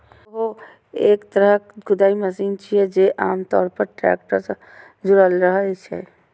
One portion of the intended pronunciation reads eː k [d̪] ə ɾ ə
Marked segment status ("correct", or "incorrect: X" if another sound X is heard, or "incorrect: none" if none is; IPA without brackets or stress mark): incorrect: t̪